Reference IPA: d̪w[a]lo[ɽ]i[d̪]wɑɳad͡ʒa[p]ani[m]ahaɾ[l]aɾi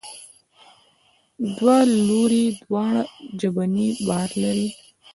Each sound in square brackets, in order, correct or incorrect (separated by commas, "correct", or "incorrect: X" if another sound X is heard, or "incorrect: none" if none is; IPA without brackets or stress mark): correct, incorrect: ɾ, correct, incorrect: b, incorrect: b, correct